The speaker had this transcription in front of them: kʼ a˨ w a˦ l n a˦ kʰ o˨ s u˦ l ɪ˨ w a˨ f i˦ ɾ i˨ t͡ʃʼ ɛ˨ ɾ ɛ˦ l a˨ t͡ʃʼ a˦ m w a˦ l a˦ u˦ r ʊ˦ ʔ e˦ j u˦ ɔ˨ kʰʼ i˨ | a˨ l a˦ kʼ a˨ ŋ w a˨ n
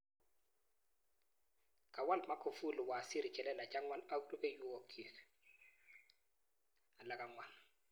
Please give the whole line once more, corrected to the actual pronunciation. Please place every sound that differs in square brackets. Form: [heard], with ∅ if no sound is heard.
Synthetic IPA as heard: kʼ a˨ w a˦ l [m] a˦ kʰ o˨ [f] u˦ l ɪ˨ w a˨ [s] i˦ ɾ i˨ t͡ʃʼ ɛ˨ [l] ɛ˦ l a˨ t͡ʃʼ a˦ [ŋ] w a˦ l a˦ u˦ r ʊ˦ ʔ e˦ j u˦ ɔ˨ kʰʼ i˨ | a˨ l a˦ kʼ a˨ ŋ w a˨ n